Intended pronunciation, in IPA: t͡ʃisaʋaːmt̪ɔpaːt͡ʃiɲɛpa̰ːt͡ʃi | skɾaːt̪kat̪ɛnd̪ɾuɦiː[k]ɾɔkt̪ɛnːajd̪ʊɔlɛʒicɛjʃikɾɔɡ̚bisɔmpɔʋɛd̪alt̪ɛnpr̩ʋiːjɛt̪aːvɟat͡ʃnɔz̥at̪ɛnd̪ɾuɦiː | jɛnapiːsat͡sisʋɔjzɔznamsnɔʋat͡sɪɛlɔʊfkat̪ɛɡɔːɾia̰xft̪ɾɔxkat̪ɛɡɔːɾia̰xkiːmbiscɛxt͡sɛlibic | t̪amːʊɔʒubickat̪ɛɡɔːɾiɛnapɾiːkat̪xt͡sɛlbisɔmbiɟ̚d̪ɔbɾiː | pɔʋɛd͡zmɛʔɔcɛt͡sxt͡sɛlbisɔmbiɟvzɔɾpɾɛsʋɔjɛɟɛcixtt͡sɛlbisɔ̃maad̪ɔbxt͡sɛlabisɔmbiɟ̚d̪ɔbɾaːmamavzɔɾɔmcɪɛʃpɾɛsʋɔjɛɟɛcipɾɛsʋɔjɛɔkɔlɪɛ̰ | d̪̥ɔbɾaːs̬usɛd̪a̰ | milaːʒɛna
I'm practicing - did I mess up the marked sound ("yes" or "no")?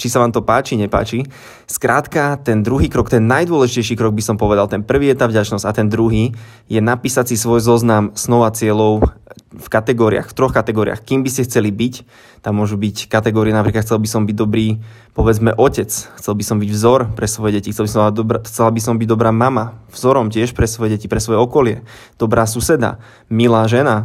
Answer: no